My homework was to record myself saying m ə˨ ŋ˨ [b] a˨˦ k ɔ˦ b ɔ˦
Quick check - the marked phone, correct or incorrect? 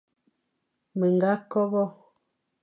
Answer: incorrect